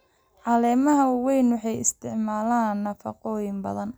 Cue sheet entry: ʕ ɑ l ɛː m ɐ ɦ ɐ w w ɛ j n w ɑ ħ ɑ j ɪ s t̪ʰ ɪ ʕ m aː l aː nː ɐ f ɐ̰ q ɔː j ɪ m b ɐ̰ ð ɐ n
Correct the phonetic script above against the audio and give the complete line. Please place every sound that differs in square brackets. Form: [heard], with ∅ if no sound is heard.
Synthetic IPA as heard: ʕ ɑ l ɛː m ɐ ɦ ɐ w w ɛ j n w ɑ ħ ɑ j ɪ s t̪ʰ ɪ ʕ m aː l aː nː ɐ f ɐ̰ q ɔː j ɪ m b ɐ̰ ð ɐ n